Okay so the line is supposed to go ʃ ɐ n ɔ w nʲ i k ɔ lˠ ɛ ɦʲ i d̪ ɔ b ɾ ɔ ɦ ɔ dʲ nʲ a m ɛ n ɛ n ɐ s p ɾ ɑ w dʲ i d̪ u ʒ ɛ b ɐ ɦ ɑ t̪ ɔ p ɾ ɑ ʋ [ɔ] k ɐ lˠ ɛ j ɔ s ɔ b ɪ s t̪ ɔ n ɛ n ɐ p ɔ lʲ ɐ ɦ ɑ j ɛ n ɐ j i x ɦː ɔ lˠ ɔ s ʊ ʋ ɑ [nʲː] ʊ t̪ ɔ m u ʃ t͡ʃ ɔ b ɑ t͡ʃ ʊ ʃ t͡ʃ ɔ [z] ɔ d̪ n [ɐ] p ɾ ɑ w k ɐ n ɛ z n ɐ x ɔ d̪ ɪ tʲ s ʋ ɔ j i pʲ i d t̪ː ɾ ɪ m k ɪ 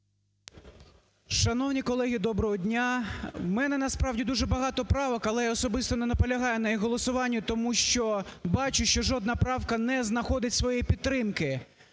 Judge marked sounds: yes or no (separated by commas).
yes, yes, no, yes